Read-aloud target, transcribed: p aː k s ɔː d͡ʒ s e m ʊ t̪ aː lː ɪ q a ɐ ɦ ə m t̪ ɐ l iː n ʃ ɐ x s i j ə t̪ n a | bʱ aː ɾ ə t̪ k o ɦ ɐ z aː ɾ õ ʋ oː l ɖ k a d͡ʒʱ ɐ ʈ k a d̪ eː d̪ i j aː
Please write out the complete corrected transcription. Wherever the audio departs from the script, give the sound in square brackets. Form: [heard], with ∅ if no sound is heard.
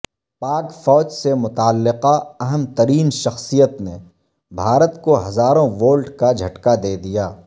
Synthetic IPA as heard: p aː k [f] ɔː d͡ʒ s e m ʊ t̪ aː lː ɪ q a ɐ ɦ ə m t̪ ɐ [ɾ] iː n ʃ ɐ x s i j ə t̪ n [e] | bʱ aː ɾ ə t̪ k o ɦ ɐ z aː ɾ õ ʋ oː l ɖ k a d͡ʒʱ ɐ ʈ k a d̪ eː d̪ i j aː